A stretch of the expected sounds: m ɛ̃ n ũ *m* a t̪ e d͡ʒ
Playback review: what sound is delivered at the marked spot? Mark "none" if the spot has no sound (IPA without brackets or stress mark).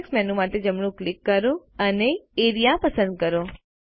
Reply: m